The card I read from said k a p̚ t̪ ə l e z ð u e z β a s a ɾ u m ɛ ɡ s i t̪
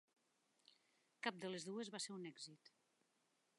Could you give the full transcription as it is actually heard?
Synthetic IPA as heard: k a p̚ d̪ ə l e z ð u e z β a s e ɾ u n ɛ ɡ z i t̪